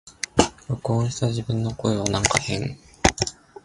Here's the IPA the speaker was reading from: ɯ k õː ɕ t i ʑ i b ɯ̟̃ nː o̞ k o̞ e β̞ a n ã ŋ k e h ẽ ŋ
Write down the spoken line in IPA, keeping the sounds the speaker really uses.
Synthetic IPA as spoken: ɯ k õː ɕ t a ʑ i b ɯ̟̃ nː o̞ k o̞ e β̞ a n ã ŋ k a h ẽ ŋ